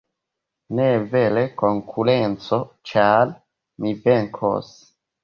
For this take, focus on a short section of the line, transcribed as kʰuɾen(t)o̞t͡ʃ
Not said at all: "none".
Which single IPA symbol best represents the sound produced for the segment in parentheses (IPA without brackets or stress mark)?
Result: t͡s